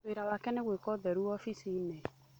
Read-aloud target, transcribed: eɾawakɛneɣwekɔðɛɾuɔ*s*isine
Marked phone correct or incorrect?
incorrect